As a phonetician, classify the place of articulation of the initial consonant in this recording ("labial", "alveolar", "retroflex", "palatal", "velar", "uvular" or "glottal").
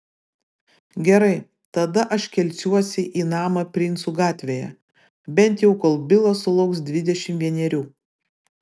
velar